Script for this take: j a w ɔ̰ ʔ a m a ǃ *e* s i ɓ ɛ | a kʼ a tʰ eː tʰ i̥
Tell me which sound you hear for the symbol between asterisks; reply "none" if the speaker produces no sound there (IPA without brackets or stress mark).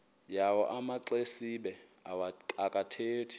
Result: e